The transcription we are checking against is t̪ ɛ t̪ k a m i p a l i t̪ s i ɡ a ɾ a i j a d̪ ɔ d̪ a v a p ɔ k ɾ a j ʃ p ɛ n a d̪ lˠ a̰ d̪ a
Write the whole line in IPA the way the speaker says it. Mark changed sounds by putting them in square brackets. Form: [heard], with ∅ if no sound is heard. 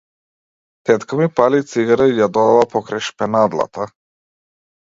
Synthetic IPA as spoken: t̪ ɛ t̪ k a m i p a l i t̪ s i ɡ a ɾ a i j a d̪ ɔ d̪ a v a p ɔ k ɾ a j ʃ p ɛ n a d̪ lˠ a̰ [t̪] a